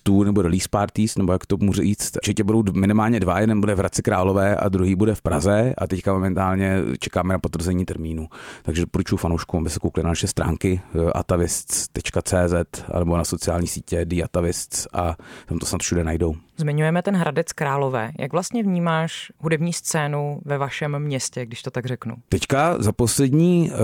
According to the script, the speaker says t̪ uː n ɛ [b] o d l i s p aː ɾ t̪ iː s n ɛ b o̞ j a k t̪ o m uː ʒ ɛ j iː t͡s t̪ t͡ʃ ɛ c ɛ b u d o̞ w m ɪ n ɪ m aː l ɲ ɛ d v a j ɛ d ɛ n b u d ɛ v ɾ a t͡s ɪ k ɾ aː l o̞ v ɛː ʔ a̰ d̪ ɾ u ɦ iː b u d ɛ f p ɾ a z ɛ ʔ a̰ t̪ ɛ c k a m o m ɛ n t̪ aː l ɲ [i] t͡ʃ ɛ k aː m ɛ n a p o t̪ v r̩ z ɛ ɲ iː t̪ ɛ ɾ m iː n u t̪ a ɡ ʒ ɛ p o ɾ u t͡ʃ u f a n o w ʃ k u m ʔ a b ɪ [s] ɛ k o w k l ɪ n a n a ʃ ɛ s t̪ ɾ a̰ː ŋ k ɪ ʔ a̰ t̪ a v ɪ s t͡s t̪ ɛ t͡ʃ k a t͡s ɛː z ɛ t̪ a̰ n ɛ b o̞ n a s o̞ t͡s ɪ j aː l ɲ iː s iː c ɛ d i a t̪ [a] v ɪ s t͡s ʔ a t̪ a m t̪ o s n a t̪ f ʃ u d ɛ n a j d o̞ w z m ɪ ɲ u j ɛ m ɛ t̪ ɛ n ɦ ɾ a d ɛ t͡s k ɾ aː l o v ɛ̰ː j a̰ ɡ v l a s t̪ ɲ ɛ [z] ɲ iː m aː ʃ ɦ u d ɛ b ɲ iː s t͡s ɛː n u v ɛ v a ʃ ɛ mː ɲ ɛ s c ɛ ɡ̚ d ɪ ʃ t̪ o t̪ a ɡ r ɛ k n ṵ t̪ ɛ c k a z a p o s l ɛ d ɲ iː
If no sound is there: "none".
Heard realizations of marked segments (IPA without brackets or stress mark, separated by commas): b, ɛ, s, a, v